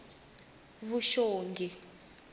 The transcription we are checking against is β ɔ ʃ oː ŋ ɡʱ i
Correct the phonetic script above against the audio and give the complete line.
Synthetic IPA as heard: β u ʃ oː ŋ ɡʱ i